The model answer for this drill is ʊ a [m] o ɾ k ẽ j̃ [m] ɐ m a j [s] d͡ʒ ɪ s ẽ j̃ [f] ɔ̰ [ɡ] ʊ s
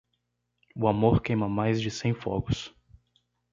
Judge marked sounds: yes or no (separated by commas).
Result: yes, yes, no, yes, yes